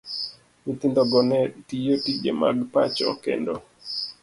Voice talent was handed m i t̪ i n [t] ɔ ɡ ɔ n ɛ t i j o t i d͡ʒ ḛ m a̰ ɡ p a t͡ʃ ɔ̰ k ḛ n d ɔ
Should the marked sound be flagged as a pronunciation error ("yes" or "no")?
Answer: yes